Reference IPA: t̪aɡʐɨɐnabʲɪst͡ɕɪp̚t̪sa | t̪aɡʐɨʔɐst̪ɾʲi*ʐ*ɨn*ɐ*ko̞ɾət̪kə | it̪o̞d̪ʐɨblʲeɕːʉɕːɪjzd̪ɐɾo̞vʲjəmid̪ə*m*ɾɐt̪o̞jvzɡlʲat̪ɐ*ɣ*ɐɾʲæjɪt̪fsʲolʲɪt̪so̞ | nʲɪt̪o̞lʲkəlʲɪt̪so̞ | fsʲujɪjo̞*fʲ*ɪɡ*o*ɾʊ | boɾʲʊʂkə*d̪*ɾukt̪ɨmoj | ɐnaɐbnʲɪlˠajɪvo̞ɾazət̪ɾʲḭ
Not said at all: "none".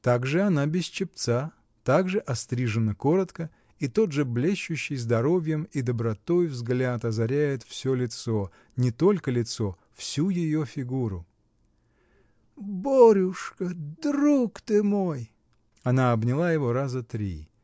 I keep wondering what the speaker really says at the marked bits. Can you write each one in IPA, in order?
ʐ, ə, b, z, fʲ, u, d̪

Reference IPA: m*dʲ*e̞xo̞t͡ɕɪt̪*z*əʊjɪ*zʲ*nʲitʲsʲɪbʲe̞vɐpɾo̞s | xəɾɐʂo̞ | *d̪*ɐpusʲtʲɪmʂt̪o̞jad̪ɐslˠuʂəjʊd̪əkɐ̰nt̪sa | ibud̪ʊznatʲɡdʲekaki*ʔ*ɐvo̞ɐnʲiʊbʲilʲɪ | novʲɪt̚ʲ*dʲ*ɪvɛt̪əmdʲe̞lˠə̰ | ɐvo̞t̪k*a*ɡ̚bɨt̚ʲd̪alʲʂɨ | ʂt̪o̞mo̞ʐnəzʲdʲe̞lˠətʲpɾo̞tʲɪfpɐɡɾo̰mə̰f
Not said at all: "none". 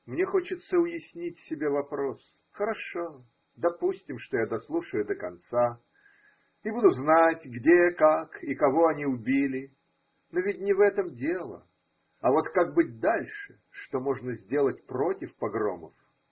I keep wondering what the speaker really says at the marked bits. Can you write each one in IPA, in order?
nʲ, s, sʲ, d̪, k, nʲ, a

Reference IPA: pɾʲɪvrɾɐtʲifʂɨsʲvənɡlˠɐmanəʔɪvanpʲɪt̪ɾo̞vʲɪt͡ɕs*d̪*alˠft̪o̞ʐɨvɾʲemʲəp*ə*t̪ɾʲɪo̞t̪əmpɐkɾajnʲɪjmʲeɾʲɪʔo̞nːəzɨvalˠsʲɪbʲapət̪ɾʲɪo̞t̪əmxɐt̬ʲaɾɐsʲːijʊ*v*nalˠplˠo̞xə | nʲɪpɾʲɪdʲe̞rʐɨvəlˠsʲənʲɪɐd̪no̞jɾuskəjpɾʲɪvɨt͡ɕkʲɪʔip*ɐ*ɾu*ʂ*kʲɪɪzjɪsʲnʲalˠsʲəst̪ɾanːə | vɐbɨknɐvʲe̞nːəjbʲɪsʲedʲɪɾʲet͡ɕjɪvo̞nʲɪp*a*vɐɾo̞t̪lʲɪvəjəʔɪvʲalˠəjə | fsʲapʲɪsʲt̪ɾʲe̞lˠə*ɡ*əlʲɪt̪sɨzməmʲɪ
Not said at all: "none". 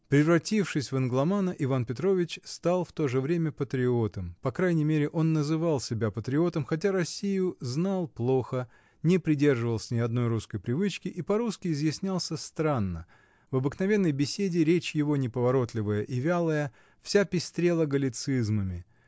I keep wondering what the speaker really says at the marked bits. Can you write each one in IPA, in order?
t̪, ə, z, ɐ, s, ə, ɡ

